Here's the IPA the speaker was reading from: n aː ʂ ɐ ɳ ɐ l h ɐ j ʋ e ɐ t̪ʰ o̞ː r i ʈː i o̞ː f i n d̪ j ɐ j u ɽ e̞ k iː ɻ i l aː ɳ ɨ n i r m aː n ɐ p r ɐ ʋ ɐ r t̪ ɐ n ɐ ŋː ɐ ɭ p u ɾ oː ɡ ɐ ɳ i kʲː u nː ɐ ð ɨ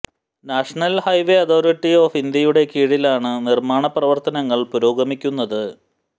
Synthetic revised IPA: n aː ʂ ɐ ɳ ɐ l h ɐ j ʋ e ɐ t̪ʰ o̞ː ɾ i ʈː i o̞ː f i n d̪ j ɐ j u ɽ e̞ k iː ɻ i l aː ɳ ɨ n i r m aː ɳ ɐ p r ɐ ʋ ɐ r t̪ ɐ n ɐ ŋː ɐ ɭ p u ɾ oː ɡ ɐ m i kʲː u nː ɐ ð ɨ